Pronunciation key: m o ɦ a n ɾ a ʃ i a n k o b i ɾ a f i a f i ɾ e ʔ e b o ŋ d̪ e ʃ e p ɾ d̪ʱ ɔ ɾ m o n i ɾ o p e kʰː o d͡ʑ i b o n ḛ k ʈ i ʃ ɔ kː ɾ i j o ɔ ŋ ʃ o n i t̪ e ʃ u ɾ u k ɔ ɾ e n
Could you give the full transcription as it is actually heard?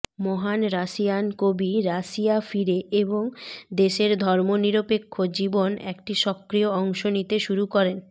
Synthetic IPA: m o ɦ a n ɾ a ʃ i a n k o b i ɾ a ʃ i a f i ɾ e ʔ e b o ŋ d̪ e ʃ e ɾ d̪ʱ ɔ ɾ m o n i ɾ o p e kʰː o d͡ʑ i b o n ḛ k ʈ i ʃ ɔ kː ɾ i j o ɔ ŋ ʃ o n i t̪ e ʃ u ɾ u k ɔ ɾ e n